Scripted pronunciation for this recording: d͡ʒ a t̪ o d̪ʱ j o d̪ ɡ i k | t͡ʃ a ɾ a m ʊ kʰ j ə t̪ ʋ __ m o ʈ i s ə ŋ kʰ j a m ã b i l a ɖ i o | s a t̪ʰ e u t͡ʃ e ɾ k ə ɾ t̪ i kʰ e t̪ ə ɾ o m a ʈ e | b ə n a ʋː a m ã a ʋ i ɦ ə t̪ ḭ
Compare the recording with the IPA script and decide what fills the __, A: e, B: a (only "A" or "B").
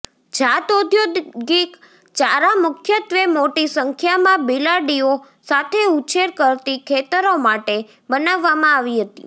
A